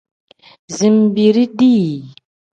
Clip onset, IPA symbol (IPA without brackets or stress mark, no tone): z